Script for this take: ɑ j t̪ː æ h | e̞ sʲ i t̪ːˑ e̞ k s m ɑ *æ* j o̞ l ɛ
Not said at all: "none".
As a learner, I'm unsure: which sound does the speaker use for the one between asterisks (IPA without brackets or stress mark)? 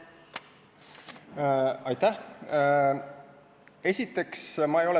e